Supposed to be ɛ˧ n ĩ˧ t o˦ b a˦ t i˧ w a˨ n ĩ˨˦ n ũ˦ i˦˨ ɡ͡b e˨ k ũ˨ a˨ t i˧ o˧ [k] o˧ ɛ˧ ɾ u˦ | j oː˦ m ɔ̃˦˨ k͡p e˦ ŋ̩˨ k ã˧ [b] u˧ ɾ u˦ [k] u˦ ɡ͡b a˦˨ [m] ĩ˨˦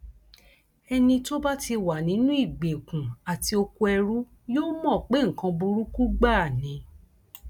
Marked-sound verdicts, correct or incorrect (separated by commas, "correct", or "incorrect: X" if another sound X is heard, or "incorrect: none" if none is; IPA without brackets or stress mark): correct, correct, correct, incorrect: n